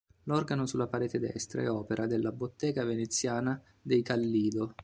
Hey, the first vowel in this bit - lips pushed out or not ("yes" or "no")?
yes